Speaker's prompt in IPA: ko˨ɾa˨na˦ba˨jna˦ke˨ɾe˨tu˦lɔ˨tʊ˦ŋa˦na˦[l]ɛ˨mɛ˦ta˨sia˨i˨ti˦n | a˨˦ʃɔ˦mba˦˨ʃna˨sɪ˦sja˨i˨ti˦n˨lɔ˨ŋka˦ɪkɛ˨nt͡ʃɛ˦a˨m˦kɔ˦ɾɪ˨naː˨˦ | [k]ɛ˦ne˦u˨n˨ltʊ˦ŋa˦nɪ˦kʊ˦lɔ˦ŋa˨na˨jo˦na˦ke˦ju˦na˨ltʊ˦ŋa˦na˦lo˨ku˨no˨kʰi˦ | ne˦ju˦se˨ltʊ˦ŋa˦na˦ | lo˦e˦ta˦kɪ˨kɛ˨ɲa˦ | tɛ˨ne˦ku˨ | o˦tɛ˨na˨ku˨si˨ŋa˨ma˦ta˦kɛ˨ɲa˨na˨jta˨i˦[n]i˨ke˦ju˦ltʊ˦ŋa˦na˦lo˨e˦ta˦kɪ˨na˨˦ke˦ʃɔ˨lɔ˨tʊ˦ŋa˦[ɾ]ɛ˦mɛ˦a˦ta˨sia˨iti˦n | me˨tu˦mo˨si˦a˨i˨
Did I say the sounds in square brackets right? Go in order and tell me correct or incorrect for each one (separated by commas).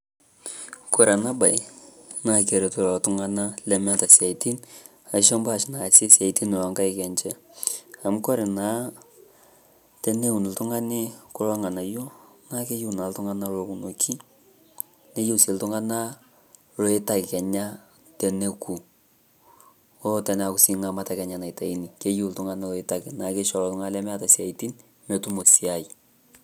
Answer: correct, incorrect, correct, incorrect